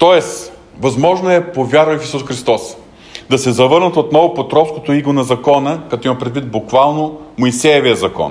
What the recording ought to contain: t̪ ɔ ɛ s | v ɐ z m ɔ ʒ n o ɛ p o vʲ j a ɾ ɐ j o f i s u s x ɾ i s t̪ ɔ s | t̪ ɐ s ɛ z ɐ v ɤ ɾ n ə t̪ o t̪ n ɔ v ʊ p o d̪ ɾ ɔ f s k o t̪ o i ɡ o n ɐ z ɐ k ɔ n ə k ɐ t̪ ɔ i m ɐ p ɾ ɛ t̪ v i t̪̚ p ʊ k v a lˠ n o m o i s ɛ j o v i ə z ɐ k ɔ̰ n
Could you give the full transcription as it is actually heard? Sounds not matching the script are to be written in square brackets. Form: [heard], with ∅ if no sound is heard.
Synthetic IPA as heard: t̪ ɔ ɛ s | v ɐ z m ɔ ʒ n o ɛ p o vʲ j a ɾ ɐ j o f i s u s x ɾ i s t̪ ɔ s | [d̪] ɐ s ɛ z ɐ v ɤ ɾ n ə t̪ o t̪ n ɔ v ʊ p o [t̪] ɾ ɔ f s k o t̪ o i ɡ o n ɐ z ɐ k ɔ n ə k ɐ t̪ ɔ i m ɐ p ɾ ɛ [d̪] v i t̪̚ [b] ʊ k v a lˠ n o m o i s ɛ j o v i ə z ɐ k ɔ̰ n